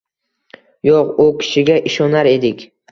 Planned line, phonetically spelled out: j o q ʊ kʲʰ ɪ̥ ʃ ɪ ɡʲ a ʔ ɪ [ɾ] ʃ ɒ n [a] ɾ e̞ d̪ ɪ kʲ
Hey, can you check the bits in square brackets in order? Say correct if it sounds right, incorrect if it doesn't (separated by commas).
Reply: incorrect, correct